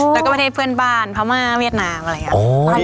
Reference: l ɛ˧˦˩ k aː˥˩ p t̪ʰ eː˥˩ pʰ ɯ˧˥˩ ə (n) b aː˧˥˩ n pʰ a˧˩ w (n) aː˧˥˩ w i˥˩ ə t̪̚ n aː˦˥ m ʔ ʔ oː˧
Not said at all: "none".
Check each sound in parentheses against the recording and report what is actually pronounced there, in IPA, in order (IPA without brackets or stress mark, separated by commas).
n, m